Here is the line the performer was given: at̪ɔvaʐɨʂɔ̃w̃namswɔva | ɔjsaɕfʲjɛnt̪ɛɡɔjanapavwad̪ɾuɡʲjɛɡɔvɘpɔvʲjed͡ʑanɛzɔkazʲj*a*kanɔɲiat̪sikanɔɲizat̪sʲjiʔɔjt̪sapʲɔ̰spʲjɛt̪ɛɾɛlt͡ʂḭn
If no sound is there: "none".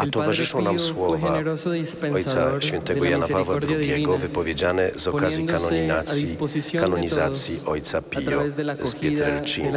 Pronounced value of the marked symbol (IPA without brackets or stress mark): i